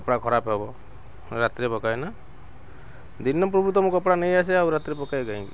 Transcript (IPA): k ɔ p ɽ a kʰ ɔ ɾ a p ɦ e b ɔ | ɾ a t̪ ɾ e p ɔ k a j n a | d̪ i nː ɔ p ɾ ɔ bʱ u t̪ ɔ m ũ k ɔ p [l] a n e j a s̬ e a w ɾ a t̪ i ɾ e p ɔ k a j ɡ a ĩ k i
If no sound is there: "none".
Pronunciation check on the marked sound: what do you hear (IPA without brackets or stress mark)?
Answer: ɽ